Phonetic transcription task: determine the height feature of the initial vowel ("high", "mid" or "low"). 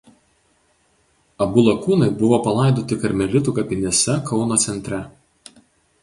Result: low